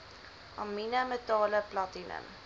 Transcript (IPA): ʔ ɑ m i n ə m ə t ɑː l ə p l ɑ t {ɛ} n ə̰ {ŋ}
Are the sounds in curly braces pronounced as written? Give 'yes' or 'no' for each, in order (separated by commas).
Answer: no, no